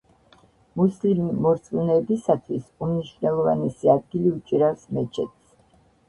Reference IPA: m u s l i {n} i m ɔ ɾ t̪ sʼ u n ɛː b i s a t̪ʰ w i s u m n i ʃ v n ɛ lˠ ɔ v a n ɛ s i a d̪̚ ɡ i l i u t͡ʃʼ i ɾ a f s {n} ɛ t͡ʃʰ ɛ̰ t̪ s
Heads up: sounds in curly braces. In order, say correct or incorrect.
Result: incorrect, incorrect

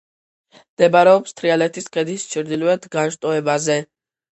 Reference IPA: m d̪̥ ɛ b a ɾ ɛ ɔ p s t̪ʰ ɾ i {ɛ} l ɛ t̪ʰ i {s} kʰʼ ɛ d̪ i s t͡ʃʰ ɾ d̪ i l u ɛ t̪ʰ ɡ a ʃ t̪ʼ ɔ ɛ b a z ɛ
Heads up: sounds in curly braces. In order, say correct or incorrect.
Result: incorrect, correct

